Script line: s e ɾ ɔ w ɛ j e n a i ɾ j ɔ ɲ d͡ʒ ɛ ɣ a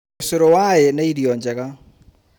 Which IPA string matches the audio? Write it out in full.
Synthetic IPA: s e ɾ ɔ w a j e n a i ɾ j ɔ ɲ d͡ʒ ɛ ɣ a